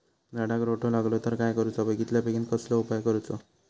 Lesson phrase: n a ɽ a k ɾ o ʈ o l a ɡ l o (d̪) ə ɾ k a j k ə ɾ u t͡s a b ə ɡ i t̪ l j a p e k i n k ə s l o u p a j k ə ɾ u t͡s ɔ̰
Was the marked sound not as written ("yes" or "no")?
yes